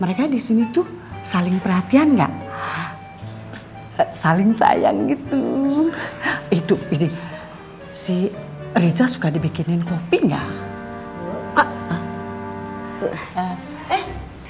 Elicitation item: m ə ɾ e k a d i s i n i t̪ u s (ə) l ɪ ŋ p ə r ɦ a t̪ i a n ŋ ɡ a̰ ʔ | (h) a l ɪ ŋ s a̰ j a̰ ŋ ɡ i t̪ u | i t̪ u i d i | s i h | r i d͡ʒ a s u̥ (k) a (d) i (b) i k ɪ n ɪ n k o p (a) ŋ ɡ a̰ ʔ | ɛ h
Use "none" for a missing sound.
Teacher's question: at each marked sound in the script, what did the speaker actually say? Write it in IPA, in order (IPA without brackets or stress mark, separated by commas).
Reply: a, s, k, d, b, i